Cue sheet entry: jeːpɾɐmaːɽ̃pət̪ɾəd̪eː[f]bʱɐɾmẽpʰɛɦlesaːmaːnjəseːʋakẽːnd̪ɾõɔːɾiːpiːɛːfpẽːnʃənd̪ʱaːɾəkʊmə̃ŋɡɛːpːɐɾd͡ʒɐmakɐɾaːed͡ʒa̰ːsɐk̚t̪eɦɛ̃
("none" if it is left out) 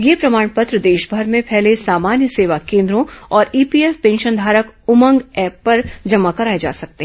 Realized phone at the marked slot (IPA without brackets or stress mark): ʃ